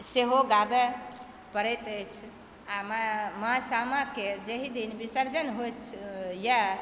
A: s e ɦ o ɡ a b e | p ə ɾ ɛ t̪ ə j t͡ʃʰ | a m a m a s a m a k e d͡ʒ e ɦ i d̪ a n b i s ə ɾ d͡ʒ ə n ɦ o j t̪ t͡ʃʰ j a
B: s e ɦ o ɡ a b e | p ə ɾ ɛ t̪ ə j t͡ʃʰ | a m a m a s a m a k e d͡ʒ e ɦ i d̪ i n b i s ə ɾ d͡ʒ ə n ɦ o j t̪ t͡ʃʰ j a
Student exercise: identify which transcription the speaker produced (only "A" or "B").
B